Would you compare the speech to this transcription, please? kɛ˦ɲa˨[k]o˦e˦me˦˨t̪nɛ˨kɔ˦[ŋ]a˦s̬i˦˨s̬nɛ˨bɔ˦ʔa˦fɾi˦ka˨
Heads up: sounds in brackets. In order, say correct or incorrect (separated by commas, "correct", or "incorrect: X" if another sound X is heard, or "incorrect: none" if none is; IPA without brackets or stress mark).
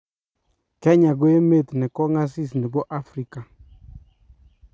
incorrect: ɡ, correct